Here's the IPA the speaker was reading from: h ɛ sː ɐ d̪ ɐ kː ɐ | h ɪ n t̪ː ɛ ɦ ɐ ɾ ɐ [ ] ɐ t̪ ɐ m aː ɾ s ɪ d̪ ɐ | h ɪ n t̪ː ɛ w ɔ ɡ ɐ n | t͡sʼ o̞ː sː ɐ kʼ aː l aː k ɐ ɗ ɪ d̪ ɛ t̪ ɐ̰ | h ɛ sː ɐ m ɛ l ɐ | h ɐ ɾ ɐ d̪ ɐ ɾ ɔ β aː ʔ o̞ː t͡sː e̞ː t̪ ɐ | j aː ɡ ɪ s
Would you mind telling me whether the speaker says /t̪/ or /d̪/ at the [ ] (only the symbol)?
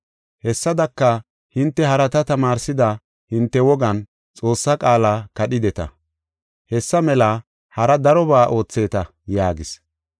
t̪